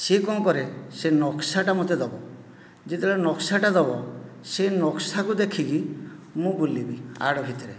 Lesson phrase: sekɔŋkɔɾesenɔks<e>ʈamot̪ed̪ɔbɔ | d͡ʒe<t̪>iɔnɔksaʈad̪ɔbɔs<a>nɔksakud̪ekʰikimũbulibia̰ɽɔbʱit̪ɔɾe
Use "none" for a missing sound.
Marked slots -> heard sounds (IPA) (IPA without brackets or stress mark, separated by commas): a, t̪, e